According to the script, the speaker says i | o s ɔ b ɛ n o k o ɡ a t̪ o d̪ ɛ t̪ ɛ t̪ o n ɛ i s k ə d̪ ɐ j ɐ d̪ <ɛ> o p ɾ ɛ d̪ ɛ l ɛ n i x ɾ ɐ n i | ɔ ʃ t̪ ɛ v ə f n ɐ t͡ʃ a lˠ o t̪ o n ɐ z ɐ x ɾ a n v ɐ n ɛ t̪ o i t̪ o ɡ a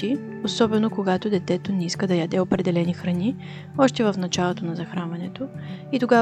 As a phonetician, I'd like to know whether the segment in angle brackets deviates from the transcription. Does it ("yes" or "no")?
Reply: no